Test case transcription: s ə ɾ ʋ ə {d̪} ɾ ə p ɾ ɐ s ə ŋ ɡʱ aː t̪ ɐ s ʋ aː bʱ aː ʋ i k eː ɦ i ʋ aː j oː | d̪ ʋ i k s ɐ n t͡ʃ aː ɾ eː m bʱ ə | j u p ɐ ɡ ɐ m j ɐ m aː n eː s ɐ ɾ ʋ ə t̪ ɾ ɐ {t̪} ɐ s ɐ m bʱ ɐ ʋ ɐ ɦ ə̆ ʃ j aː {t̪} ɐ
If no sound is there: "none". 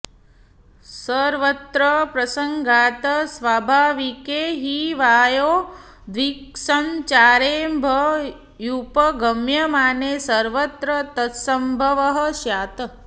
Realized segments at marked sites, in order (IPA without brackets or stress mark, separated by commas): t̪, t̪, t̪